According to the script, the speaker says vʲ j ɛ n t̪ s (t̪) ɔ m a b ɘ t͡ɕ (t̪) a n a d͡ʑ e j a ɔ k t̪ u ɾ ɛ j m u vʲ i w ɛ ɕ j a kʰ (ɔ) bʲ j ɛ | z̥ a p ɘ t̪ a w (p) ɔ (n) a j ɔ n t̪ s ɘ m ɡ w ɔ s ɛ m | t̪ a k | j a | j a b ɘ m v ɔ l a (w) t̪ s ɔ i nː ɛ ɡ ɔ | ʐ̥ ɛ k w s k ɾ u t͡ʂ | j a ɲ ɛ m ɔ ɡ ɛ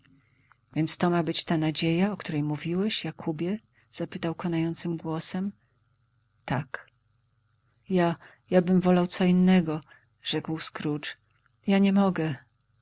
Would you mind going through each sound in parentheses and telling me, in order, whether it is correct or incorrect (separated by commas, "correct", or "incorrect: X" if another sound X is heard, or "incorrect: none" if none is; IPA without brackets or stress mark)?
correct, correct, incorrect: u, incorrect: k, correct, correct